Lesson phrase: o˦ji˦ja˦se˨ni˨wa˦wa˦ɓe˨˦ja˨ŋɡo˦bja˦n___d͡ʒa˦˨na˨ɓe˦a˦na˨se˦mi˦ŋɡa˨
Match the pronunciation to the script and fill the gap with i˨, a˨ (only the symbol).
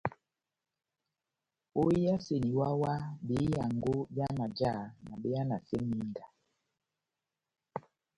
a˨